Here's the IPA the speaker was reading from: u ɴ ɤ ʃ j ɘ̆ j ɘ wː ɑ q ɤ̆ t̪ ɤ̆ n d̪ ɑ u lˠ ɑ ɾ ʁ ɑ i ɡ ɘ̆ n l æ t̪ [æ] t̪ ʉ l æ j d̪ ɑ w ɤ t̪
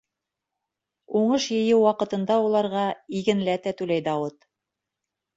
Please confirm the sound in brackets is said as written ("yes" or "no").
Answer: yes